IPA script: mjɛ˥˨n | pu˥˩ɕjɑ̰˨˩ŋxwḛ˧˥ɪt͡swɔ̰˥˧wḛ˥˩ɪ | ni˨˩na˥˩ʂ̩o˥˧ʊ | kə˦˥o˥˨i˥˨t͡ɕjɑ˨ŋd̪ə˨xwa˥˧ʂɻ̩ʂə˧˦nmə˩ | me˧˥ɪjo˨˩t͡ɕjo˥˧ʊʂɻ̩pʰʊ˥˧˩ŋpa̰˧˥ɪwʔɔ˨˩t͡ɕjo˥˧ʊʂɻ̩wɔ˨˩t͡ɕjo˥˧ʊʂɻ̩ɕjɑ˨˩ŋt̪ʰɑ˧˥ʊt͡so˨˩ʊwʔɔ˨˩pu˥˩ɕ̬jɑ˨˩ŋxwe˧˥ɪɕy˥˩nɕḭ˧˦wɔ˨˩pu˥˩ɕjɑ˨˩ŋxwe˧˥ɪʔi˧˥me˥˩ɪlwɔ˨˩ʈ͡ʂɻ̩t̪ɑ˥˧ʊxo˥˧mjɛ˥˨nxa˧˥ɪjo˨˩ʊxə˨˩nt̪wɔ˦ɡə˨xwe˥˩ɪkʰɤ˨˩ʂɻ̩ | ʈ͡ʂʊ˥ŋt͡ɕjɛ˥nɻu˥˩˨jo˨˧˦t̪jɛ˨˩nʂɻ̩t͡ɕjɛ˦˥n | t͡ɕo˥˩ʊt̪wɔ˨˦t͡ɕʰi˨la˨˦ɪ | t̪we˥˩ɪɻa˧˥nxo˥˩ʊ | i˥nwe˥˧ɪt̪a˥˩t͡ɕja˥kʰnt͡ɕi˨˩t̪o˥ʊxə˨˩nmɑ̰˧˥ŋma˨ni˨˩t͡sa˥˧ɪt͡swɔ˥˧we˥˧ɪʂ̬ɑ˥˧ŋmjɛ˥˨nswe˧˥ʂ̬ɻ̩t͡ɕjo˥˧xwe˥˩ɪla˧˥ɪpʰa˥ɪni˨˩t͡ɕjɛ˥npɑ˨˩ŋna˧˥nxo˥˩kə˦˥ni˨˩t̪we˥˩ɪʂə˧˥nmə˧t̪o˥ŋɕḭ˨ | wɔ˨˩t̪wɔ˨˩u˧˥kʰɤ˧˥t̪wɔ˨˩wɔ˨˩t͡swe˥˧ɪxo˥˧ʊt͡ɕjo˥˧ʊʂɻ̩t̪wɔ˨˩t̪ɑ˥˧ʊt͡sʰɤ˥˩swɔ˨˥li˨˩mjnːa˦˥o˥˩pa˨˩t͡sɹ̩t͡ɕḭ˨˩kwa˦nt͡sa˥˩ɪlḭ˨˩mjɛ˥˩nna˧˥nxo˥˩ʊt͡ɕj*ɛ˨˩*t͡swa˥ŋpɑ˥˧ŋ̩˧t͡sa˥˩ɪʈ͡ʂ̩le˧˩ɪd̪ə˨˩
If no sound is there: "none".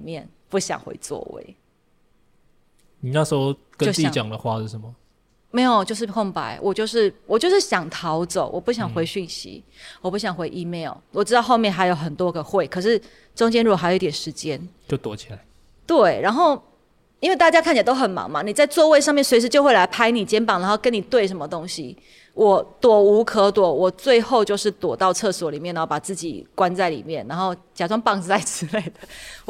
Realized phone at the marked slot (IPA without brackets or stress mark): a˨˩